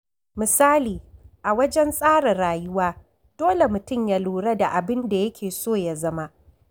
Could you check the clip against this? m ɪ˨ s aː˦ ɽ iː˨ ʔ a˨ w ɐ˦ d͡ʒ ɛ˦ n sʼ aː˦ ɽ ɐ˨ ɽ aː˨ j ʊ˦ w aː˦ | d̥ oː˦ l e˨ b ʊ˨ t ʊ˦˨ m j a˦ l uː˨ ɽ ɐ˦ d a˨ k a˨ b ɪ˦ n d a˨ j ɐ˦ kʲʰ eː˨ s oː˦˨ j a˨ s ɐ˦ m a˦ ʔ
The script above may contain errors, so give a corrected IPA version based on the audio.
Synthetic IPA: m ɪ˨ s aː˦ l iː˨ ʔ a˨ w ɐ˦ d͡ʒ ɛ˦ n sʼ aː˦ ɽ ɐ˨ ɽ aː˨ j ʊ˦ w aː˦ | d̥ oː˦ l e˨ m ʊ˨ t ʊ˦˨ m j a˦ l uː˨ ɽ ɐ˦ d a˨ ʔ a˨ b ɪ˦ n d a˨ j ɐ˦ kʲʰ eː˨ s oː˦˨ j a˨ z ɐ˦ m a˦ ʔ